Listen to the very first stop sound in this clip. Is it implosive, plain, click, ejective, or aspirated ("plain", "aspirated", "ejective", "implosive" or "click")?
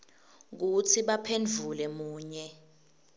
plain